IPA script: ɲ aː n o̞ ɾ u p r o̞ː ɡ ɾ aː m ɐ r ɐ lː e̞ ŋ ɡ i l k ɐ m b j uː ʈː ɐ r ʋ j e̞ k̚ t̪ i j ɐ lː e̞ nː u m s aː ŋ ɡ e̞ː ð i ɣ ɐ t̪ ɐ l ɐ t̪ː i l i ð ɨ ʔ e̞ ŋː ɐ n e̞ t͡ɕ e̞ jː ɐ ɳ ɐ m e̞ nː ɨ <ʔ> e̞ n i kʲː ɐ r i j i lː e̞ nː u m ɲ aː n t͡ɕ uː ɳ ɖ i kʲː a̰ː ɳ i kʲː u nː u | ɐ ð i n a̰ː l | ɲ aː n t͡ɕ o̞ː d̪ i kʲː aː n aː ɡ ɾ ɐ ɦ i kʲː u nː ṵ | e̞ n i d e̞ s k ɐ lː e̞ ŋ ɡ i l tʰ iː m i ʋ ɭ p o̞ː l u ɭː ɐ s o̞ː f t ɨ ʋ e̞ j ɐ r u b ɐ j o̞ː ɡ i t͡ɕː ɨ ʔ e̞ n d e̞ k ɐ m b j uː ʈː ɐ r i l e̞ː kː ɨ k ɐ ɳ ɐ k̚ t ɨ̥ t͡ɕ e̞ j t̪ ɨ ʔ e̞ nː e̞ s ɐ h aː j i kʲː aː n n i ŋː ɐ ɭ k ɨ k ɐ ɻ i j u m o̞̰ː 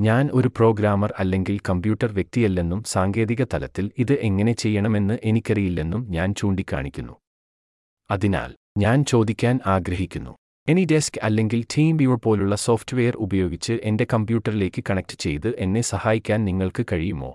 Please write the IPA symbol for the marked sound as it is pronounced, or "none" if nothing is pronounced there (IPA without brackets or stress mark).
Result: ʔ